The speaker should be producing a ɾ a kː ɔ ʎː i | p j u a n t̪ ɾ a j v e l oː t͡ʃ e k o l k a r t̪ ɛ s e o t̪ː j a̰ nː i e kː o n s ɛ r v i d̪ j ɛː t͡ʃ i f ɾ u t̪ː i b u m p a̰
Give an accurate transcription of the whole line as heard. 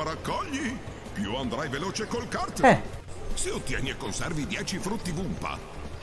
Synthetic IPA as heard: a ɾ a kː ɔ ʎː i | p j u a n d̪ ɾ a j v e l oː t͡ʃ e k o l k a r t̪ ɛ s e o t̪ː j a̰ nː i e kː o n s ɛ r v i d̪ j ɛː t͡ʃ i f ɾ u t̪ː i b u m p a̰